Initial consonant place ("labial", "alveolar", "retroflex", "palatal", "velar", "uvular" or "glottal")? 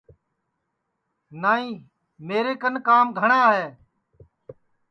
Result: alveolar